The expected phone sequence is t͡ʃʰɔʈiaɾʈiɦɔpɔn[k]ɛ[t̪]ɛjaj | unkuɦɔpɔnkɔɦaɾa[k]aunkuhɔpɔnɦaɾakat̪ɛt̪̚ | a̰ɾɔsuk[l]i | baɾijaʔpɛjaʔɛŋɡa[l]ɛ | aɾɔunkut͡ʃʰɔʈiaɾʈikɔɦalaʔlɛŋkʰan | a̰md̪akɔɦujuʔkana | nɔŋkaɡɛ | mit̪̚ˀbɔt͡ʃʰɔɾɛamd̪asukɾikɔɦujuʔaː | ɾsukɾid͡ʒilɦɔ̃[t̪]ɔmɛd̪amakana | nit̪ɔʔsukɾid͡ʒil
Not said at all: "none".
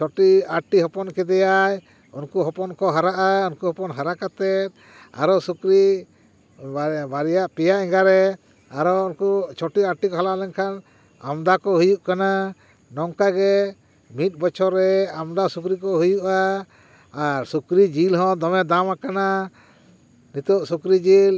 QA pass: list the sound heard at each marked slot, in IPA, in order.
k, d̪, ʔ, ɾ, ɾ, d̪

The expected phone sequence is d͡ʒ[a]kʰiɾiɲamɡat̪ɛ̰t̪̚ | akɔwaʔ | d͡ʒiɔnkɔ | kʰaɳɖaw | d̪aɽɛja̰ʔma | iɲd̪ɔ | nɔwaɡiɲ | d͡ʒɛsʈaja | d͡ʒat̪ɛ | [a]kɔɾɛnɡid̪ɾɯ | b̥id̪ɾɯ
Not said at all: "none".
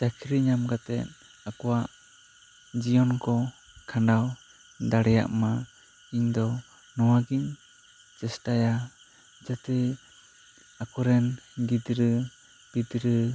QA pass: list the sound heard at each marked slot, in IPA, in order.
a, a

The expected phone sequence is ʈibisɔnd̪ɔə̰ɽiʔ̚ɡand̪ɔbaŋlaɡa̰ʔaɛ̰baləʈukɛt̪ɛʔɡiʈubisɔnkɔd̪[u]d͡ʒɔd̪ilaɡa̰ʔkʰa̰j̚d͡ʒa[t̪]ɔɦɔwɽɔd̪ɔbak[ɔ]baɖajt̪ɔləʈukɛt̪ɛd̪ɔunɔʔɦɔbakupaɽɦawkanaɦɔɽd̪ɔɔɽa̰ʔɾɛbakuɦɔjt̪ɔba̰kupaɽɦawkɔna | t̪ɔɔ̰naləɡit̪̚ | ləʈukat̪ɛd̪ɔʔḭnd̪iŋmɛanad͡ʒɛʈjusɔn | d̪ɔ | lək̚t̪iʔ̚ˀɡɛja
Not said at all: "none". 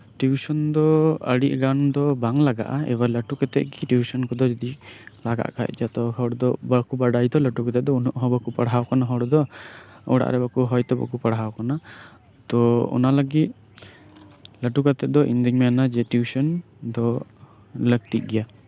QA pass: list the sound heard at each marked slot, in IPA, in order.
ɔ, t̪, u

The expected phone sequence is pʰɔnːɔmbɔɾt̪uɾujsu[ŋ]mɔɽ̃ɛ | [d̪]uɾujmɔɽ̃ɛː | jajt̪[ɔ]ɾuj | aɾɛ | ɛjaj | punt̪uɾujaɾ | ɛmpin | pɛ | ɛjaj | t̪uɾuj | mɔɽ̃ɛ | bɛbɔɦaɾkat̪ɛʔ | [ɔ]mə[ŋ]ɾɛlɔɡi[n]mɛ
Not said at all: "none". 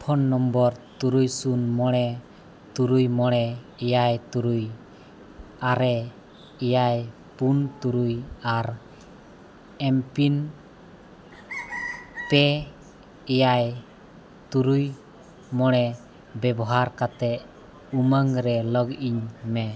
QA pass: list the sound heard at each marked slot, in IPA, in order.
n, t̪, u, u, ŋ, ɲ

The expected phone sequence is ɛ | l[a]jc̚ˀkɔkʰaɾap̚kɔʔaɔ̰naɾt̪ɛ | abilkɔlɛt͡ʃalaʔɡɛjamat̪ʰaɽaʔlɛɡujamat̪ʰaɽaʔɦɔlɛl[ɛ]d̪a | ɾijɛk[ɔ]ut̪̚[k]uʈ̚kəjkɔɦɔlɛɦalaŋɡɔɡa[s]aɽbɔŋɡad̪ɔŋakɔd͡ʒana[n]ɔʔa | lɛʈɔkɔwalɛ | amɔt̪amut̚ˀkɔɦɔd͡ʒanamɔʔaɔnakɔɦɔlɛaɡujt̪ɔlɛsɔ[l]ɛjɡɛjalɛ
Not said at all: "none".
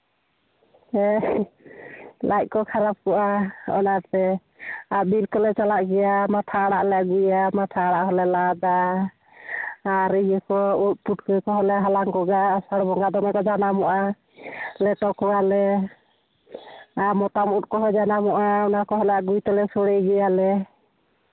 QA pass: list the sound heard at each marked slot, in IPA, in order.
a, a, ɔ, p, s, m, ɽ

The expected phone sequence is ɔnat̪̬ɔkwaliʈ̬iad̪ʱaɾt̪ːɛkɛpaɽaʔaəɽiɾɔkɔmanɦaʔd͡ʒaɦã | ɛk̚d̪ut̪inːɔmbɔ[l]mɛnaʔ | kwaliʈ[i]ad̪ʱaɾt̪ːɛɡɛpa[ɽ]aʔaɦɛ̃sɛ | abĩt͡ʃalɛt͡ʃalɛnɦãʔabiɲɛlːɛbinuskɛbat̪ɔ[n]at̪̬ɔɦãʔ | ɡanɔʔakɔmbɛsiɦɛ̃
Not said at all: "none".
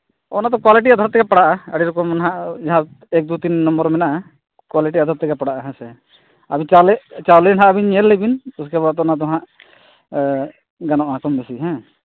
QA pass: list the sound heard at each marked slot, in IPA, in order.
ɾ, i, ɽ, n

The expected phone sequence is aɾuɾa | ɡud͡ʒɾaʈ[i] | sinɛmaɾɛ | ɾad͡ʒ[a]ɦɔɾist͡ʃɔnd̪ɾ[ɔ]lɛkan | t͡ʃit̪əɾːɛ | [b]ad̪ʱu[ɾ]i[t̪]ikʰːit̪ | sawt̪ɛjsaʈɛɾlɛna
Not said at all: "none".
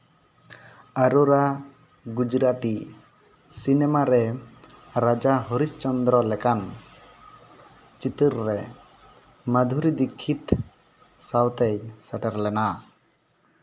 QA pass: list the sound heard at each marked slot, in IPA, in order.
i, a, ɔ, m, ɾ, d̪

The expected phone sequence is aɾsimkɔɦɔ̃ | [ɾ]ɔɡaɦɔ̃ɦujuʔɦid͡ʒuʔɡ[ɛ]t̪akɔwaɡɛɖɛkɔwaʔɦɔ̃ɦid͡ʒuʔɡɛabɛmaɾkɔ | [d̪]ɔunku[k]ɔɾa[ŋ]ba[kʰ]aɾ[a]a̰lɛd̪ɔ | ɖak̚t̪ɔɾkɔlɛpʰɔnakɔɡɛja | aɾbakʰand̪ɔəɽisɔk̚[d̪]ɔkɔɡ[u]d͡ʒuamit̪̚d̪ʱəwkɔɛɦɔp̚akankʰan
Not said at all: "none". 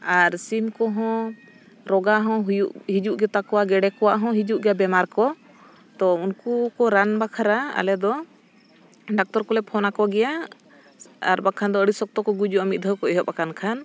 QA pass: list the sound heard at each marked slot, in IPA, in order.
ɾ, ɛ, t̪, k, n, kʰ, a, t̪, u

